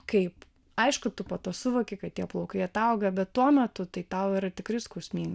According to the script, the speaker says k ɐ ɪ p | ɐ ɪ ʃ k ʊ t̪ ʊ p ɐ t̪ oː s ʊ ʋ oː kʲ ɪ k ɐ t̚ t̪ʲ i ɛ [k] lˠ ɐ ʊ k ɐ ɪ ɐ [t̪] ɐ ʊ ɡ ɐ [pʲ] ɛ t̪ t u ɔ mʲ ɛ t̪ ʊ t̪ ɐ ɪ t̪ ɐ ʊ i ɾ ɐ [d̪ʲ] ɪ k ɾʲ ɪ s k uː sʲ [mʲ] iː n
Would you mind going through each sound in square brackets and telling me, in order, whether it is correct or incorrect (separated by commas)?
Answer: incorrect, correct, incorrect, incorrect, correct